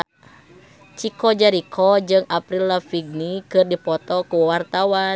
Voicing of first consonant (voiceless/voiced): voiceless